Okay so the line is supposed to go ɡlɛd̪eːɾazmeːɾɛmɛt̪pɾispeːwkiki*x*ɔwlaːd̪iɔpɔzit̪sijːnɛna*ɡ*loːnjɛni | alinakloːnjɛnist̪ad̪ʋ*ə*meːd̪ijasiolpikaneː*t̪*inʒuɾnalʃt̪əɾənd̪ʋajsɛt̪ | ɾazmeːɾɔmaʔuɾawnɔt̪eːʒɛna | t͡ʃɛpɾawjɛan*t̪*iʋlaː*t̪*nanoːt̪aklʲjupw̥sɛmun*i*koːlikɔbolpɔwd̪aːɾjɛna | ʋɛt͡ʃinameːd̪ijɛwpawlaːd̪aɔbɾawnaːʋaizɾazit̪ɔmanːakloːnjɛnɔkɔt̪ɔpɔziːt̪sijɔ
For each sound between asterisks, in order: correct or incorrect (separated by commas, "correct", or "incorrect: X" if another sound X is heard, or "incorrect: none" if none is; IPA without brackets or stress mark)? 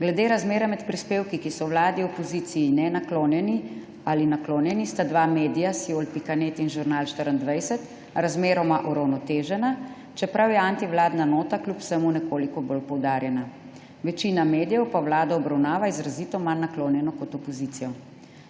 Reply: incorrect: s, incorrect: k, incorrect: a, correct, correct, incorrect: d̪, incorrect: ɛ